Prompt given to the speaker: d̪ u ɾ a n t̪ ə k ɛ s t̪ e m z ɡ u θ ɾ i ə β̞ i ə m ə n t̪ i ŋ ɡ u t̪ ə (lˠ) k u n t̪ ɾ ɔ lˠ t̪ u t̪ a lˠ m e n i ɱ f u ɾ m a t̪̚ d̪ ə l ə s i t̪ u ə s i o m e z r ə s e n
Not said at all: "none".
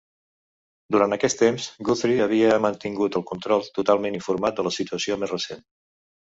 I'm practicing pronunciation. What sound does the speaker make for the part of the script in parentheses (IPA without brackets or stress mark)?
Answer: lˠ